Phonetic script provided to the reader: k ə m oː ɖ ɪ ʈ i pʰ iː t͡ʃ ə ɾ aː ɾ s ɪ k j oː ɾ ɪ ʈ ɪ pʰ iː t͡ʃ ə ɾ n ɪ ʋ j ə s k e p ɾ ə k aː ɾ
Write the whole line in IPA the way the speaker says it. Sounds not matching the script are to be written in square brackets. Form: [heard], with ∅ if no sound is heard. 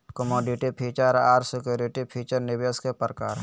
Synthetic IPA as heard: k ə m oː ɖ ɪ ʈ i pʰ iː t͡ʃ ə ɾ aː ɾ s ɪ k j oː ɾ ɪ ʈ [i] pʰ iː t͡ʃ ə ɾ n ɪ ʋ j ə s k e p ɾ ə k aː ɾ